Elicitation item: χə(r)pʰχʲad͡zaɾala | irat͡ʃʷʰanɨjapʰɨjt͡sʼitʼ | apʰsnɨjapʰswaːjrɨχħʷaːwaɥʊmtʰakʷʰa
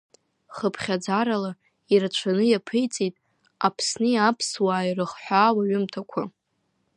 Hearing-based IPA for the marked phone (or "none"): none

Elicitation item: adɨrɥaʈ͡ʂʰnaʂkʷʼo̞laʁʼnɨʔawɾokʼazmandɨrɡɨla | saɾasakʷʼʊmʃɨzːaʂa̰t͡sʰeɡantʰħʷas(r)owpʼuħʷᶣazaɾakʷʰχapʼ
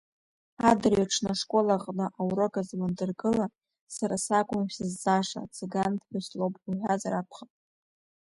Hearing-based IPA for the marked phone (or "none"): l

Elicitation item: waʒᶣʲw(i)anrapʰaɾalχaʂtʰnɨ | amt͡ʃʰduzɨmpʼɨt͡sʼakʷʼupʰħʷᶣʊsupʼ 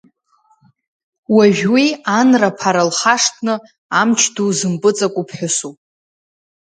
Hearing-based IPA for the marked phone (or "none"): i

